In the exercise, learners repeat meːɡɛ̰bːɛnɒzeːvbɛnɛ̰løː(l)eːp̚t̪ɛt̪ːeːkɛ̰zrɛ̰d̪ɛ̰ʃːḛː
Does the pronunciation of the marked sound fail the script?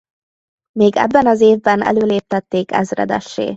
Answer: no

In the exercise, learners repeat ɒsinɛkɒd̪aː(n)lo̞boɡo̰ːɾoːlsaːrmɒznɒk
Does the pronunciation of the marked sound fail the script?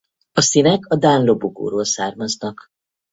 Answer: no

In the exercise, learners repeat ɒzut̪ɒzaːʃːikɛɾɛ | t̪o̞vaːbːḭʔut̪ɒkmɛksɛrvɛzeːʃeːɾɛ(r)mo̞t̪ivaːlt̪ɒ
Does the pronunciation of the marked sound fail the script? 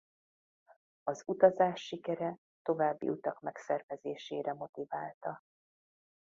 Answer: yes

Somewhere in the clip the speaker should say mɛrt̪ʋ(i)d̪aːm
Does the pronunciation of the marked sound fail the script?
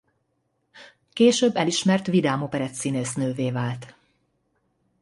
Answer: no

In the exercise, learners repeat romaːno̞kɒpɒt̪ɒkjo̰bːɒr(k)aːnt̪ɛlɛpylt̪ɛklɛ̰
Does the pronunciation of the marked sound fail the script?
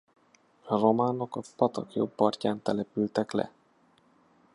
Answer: yes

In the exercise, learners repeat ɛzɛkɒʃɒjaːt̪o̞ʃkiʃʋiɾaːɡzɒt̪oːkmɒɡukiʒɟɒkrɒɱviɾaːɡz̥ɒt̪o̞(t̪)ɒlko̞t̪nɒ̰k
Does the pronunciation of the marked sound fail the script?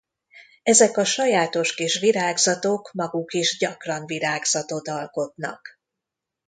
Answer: no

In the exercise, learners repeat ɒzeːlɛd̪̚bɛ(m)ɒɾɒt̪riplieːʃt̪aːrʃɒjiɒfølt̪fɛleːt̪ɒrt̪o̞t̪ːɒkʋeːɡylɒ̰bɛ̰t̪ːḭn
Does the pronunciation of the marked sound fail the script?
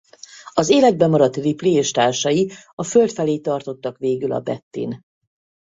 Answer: no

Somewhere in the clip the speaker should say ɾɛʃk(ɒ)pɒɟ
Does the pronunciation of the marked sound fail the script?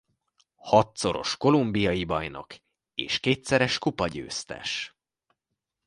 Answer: yes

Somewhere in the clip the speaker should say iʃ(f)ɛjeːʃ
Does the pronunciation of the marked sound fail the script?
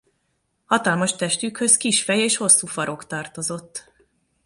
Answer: no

